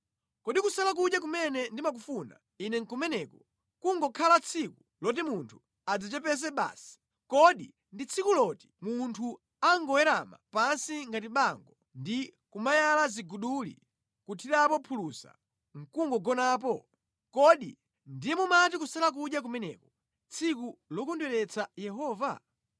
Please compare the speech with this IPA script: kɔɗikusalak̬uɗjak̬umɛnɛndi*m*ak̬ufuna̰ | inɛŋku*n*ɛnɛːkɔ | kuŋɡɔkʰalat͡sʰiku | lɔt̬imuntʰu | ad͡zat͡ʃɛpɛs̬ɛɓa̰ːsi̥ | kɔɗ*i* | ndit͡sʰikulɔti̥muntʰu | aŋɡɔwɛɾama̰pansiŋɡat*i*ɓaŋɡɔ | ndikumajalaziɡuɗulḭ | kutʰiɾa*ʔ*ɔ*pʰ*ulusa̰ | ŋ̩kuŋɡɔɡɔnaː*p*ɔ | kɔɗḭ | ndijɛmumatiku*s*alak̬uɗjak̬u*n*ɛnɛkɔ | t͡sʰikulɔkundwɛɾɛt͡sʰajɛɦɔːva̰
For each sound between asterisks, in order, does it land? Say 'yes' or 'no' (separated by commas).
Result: yes, no, yes, yes, no, yes, yes, yes, no